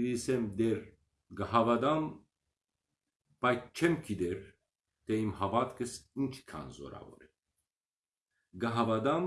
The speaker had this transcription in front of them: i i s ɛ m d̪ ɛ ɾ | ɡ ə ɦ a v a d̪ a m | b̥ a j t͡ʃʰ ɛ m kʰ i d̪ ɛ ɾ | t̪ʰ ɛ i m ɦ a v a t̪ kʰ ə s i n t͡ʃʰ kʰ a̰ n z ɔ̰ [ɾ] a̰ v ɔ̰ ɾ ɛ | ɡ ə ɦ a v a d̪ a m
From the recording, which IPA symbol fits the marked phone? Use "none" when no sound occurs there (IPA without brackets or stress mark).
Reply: ɾ